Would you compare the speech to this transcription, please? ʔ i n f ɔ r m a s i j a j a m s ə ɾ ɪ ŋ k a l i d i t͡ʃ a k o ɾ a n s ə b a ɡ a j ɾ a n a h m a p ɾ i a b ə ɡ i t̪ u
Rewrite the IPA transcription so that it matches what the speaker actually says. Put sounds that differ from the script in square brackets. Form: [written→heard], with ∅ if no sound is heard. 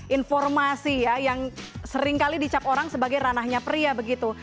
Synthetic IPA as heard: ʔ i n f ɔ r m a s i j a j a [m→ŋ] s ə ɾ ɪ ŋ k a l i d i t͡ʃ a [k→p] o ɾ a [n→ŋ] s ə b a ɡ a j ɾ a n a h [m→ɲ] a p ɾ i a b ə ɡ i t̪ u